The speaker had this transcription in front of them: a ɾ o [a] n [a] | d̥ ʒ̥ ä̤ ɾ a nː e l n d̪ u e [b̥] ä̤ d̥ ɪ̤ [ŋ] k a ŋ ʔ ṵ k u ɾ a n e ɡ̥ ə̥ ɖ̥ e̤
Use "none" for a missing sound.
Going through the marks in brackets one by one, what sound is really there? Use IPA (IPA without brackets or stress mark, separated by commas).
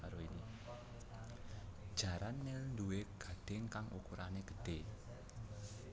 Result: i, i, ɡ̥, ŋ